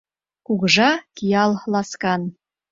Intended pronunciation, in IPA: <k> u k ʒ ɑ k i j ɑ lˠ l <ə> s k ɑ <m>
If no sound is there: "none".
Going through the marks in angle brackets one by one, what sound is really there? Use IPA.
k, ɑ, n

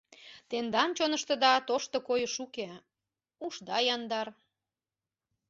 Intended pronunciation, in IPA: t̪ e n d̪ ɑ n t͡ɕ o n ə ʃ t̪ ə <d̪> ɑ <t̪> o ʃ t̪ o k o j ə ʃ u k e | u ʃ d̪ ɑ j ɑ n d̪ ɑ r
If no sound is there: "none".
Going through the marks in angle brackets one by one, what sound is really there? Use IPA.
d̪, t̪

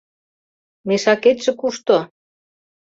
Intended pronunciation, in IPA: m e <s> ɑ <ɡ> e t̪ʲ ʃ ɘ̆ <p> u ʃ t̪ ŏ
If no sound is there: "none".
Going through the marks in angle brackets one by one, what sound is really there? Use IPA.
ʃ, k, k

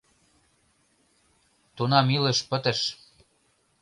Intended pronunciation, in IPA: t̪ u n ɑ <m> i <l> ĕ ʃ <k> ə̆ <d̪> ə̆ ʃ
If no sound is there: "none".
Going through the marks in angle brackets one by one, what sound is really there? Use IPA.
m, l, p, t̪

